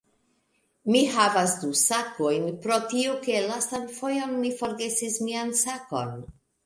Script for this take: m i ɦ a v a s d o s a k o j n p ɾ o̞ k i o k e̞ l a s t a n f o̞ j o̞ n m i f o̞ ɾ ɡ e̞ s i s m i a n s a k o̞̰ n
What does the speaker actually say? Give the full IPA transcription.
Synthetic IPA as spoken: m i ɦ a v a s d u s a k o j n p ɾ o̞ t i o k e̞ l a s t a n f o̞ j o̞ n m i f o̞ ɾ ɡ e̞ s i s m i a n s a k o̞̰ n